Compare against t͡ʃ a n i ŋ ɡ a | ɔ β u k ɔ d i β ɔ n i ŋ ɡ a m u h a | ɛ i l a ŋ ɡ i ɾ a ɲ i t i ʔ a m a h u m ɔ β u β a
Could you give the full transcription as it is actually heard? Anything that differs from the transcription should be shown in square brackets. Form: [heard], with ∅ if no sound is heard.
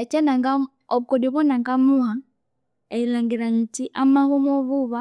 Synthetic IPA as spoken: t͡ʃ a n [a] ŋ ɡ a | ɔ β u k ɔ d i β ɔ n [a] ŋ ɡ a m u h a | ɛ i l a ŋ ɡ i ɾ a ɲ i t i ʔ a m a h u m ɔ β u β a